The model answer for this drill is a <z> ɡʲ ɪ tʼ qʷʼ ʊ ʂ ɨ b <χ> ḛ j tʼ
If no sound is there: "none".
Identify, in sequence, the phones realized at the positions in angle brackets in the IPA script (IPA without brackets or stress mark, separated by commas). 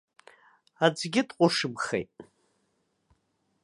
d͡z, χ